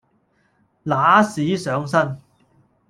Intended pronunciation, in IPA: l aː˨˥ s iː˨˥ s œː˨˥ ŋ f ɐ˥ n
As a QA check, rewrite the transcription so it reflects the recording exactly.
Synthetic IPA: l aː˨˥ s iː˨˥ s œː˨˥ ŋ s ɐ˥ n